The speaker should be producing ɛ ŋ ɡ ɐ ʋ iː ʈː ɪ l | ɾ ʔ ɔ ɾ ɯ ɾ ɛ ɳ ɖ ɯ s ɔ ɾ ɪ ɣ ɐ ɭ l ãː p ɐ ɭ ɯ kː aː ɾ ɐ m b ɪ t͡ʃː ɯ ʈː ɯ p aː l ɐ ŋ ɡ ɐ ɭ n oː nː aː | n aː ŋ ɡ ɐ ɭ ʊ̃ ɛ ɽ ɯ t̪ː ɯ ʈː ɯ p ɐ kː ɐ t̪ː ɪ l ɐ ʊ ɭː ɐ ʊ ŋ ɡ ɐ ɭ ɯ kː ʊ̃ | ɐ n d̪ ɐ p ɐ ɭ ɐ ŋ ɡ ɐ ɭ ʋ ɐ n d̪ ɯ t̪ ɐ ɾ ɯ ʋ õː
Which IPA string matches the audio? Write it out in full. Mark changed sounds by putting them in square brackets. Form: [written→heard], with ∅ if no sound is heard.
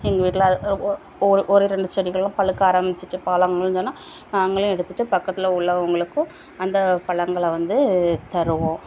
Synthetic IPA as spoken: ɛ ŋ ɡ ɐ ʋ iː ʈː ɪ l | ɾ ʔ ɔ ɾ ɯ ɾ ɛ ɳ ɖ ɯ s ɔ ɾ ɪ ɣ ɐ ɭ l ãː p ɐ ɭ ɯ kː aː ɾ ɐ m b ɪ t͡ʃː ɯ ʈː ɯ p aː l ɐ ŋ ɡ ɐ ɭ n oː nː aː | n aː ŋ ɡ ɐ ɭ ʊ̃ ɛ ɽ ɯ t̪ː ɯ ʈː ɯ p ɐ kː ɐ t̪ː ɪ l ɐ ʊ ɭː ɐ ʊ ŋ ɡ ɐ ɭ ɯ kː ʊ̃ | ɐ n d̪ ɐ p ɐ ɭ ɐ ŋ ɡ ɐ ɭ ʋ ɐ n d̪ ɯ t̪ ɐ ɾ ɯ ʋ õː

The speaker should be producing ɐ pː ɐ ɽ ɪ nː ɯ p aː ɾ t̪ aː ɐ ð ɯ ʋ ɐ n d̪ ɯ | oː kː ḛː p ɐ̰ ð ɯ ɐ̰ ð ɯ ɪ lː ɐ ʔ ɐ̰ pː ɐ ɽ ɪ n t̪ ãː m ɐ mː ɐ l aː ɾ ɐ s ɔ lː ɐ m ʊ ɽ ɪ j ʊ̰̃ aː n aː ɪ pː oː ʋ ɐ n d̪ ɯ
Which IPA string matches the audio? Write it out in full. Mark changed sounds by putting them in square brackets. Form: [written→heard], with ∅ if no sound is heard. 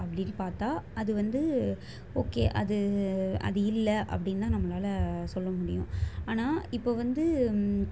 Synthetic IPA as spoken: ɐ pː ɐ ɽ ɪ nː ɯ p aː ɾ t̪ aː ɐ ð ɯ ʋ ɐ n d̪ ɯ | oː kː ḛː [p→ʔ] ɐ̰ ð ɯ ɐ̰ ð ɯ ɪ lː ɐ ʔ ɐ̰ pː ɐ ɽ ɪ n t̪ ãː [m→n] ɐ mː ɐ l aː [ɾ→l] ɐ s ɔ lː ɐ m ʊ ɽ ɪ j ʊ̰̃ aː n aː ɪ pː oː ʋ ɐ n d̪ ɯ

